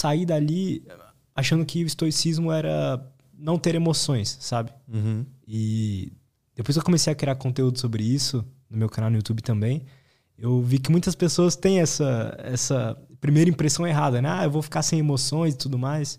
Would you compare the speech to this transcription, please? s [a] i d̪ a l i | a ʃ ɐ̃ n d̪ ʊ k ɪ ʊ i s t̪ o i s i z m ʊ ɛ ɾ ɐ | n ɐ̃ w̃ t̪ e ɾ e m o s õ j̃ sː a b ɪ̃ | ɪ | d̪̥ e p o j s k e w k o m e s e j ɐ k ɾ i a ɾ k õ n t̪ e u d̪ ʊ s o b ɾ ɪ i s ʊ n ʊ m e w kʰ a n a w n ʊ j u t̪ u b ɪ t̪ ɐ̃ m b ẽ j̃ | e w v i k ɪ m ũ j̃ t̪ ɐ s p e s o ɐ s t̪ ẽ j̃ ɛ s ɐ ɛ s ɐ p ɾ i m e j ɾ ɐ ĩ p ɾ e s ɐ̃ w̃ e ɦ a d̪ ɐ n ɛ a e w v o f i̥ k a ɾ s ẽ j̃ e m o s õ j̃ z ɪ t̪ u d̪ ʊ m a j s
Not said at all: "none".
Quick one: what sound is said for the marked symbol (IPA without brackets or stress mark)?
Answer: a